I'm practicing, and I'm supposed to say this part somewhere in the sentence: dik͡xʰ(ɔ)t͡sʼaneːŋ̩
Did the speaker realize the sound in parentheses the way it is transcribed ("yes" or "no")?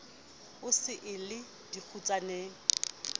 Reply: no